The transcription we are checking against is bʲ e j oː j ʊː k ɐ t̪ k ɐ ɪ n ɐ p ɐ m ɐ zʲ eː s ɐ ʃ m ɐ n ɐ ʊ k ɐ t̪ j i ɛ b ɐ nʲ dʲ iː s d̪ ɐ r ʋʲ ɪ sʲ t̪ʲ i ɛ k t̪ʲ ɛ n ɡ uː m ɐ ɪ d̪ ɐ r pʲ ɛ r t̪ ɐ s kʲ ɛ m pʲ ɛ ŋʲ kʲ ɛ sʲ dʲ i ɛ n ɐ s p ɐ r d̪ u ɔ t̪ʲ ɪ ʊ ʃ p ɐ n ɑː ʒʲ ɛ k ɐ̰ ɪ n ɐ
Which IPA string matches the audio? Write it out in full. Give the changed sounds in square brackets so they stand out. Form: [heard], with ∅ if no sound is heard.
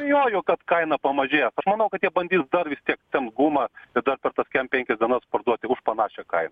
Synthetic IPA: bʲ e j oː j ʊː k ɐ t̪ k ɐ ɪ n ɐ p ɐ m ɐ [ʒʲ] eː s ɐ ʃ m ɐ n ɐ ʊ k ɐ t̪ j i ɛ b ɐ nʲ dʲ iː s d̪ ɐ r ʋʲ ɪ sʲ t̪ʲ i ɛ k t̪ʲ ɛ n ɡ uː m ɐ ɪ d̪ ɐ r pʲ ɛ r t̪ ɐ s kʲ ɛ m pʲ ɛ ŋʲ kʲ ɛ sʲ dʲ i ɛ n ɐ s p ɐ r d̪ u ɔ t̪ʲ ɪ ʊ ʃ p ɐ n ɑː [ʃʲ] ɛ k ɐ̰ ɪ n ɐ